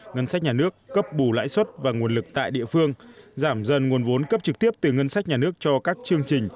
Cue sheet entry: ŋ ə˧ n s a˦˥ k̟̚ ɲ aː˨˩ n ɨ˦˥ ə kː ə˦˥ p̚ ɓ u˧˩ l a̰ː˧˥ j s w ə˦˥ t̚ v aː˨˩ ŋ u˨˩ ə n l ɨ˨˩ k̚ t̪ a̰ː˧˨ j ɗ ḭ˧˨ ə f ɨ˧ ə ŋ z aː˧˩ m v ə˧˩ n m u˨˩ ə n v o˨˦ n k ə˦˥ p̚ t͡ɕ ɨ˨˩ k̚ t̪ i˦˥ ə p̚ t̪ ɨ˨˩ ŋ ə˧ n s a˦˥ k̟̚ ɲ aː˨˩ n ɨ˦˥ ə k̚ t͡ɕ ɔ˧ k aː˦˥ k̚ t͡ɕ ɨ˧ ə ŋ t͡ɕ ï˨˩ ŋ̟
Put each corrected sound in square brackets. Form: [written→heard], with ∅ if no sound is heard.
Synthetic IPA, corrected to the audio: ŋ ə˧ n s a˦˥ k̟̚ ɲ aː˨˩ n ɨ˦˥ ə kː ə˦˥ p̚ ɓ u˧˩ l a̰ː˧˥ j s w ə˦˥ t̚ v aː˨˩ ŋ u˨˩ ə n l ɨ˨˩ k̚ t̪ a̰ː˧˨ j ɗ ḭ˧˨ ə f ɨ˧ ə ŋ z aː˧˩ m [v→z] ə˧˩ n [m→ŋ] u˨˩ ə n v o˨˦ n k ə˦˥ p̚ t͡ɕ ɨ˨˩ k̚ t̪ i˦˥ ə p̚ t̪ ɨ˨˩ ŋ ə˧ n s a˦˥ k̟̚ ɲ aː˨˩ n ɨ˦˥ ə k̚ t͡ɕ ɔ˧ k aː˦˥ k̚ t͡ɕ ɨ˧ ə ŋ t͡ɕ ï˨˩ ŋ̟